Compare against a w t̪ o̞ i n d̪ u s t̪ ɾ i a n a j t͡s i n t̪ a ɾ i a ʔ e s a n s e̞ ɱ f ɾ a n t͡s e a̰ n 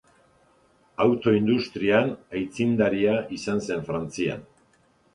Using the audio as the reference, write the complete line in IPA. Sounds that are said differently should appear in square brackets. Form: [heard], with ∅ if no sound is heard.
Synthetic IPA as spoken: a w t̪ o̞ i n d̪ u s t̪ ɾ i a n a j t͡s i n [d̪] a ɾ i a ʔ [i] s a n s e̞ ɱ f ɾ a n t͡s [i] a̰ n